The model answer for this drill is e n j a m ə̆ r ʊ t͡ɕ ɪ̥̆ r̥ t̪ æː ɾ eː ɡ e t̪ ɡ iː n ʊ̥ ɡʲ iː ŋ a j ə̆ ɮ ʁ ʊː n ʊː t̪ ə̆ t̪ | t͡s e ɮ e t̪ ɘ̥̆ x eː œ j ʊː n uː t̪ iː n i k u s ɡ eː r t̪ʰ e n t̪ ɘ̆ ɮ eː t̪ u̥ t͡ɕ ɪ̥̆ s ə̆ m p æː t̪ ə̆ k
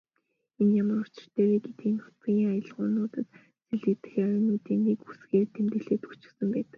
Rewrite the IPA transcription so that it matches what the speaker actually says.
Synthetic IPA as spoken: e n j a m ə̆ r ʊ t͡ɕ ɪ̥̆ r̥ t̪ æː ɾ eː ɡ e t̪ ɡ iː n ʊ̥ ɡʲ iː ŋ a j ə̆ ɮ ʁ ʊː n ʊː t̪ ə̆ t̪ | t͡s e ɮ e t̪ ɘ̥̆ x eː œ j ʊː n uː t̪ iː n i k u s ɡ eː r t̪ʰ e m t̪ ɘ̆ ɮ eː t̪ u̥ t͡ɕ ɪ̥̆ s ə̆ m p æː t̪ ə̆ k

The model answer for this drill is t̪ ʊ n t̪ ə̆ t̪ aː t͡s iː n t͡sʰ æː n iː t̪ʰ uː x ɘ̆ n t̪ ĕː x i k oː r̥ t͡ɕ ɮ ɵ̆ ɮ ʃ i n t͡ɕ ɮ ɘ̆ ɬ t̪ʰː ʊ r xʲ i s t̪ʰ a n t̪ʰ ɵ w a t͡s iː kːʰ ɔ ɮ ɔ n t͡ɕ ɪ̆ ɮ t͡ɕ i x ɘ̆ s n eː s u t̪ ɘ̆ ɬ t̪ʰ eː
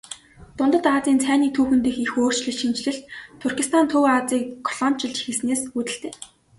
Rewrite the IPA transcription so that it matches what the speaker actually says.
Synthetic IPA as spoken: t̪ ʊ n t̪ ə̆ t̪ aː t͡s iː n t͡sʰ æː n iː t̪ʰ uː x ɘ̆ n t̪ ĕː x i x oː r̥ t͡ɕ ɮ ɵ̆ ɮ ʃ i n t͡ɕ ɮ ɘ̆ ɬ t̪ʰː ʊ r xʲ i s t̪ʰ a n t̪ʰ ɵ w a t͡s iː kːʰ ɔ ɮ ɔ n t͡ɕ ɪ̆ ɮ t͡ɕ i x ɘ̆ s n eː s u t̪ ɘ̆ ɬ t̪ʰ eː

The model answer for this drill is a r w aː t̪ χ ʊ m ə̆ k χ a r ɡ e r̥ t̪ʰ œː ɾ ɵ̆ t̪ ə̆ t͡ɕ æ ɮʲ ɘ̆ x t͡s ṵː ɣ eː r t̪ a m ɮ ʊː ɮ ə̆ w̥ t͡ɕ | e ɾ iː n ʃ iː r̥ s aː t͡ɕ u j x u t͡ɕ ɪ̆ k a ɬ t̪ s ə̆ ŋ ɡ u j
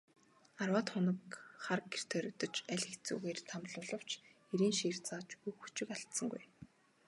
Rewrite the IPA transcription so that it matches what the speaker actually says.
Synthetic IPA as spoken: a r w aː t̪ χ ʊ n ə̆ k χ a r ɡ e r̥ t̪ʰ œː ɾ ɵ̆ t̪ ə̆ t͡ɕ æ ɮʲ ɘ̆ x t͡s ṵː ɣ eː r t̪ʰ a m ɮ ʊː ɮ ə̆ w̥ t͡ɕ | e ɾ iː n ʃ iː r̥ t͡s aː t͡ɕ u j x u t͡ɕ ɪ̆ k a ɬ t̪ s ə̆ ŋ ɡ u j

